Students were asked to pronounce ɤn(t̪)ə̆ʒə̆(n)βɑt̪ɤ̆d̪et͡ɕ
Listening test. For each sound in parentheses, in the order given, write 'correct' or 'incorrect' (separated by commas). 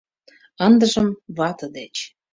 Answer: incorrect, incorrect